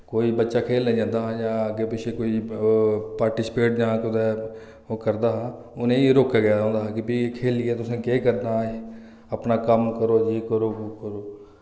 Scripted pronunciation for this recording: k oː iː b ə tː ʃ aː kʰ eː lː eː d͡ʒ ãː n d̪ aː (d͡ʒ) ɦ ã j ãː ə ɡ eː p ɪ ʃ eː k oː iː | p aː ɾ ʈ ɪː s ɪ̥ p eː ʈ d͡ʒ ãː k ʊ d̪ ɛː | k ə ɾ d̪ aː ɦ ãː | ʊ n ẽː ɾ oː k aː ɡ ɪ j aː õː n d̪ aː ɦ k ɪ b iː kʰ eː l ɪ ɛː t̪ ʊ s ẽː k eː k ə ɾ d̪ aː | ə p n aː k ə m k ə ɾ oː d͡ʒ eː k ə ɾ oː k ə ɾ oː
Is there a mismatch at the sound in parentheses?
yes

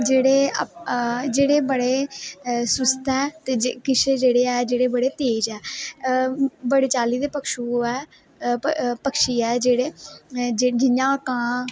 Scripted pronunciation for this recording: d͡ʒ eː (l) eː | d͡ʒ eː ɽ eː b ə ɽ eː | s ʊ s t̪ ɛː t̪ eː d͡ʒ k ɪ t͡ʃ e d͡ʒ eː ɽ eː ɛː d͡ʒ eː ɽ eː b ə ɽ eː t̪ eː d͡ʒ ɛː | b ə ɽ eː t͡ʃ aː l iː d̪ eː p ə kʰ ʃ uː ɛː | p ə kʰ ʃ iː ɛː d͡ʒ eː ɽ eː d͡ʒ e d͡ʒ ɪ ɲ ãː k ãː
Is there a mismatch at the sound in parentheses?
yes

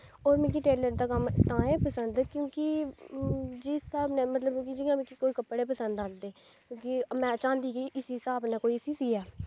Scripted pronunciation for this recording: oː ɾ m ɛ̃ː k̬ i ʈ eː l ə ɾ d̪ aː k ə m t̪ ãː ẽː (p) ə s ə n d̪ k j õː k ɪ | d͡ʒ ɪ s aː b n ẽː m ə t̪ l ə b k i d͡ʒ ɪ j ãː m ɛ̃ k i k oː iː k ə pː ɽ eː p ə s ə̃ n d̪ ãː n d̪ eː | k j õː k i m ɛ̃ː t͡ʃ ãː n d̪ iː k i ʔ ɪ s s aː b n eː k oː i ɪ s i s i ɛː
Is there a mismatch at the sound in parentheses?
no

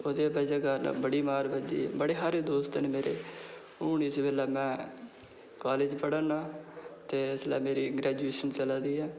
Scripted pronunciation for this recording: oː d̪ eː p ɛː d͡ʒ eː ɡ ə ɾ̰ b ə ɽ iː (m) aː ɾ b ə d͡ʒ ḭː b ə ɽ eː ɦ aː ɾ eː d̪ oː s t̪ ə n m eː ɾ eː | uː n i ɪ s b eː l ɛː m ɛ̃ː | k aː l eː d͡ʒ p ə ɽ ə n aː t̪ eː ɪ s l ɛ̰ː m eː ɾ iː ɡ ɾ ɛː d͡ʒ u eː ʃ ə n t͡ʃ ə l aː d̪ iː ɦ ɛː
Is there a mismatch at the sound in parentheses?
no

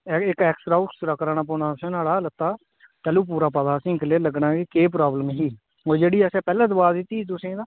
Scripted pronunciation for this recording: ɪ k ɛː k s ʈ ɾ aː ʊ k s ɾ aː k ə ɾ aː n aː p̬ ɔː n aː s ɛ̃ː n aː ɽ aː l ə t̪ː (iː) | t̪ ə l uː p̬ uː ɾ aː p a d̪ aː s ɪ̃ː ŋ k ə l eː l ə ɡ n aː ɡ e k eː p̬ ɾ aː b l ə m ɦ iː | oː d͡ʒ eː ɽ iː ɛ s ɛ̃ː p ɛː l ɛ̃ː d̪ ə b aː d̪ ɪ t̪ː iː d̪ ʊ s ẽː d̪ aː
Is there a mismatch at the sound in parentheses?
yes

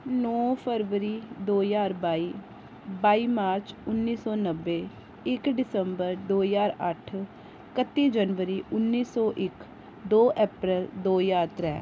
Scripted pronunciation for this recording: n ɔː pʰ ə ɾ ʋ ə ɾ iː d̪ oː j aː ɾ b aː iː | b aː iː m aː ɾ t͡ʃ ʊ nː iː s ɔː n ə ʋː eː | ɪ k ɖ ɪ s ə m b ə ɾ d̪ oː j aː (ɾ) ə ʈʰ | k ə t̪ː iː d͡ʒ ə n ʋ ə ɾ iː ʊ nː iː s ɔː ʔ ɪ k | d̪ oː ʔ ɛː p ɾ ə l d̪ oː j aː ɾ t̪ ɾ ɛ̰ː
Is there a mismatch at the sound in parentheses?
no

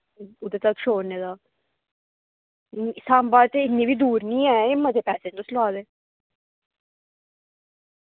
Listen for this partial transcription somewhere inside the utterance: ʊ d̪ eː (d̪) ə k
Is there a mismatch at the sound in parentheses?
yes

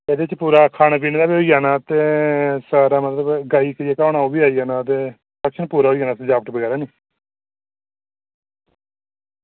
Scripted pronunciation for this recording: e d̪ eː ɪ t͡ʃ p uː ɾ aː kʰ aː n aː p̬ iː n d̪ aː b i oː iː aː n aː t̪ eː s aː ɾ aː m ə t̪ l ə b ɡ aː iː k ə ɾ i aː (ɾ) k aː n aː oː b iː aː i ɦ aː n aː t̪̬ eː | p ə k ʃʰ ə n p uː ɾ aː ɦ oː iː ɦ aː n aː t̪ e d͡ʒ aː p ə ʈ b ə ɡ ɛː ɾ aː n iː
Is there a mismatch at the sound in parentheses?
yes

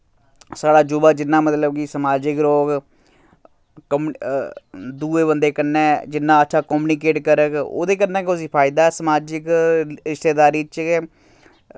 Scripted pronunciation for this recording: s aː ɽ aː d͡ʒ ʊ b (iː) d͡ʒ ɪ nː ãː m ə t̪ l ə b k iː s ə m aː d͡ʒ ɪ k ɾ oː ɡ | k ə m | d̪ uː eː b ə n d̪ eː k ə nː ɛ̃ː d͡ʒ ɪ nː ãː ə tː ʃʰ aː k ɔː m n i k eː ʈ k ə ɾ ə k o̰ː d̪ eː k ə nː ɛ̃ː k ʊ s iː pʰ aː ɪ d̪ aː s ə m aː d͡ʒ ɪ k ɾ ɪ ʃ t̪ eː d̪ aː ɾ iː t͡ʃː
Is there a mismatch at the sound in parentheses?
yes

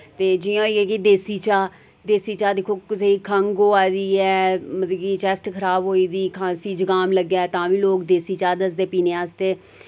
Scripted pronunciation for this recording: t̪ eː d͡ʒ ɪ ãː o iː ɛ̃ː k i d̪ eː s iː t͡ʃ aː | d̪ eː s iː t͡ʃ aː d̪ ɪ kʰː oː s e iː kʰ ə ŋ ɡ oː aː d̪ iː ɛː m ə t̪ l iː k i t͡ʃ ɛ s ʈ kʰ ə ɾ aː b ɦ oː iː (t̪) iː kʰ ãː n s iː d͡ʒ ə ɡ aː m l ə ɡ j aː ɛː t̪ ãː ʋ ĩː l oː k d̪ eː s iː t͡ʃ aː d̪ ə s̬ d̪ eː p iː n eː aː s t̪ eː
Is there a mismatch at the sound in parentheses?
yes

